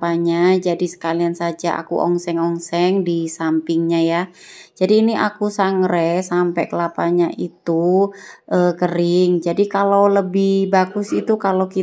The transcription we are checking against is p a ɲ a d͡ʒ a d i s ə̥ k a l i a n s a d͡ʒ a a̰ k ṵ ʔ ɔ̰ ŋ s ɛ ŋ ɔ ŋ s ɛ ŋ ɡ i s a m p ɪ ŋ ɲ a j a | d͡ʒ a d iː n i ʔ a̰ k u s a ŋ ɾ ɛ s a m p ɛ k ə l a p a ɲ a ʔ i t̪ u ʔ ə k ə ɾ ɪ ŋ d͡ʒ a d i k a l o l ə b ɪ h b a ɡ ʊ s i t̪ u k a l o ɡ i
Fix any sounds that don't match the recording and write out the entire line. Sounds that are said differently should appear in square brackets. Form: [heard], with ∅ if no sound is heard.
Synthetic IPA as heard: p a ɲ a d͡ʒ a d i s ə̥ k a l i a n s a d͡ʒ a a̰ k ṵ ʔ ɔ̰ ŋ s ɛ ŋ ɔ ŋ s ɛ ŋ [d] i s a m p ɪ ŋ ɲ a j a | d͡ʒ a d iː n i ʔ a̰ k u s a ŋ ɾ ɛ s a m p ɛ k ə l a p a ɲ a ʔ i t̪ u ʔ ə k ə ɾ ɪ ŋ d͡ʒ a d i k a l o l ə b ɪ h b a ɡ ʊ s i t̪ u k a l o [k] i